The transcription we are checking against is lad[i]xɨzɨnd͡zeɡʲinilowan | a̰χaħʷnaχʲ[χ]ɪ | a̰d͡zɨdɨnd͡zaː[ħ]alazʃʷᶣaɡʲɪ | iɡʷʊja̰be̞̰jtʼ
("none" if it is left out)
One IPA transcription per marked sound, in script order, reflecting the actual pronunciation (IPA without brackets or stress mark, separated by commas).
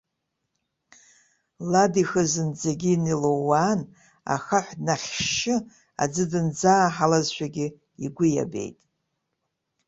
i, ʃ, ħ